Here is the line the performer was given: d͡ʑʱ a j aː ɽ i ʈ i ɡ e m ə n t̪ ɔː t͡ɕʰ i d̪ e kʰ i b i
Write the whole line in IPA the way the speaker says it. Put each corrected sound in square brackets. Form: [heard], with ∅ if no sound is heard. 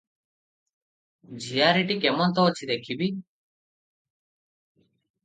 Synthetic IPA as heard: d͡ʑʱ [i] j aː [ɾ] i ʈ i [k] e m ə n t̪ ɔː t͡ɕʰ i d̪ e kʰ i b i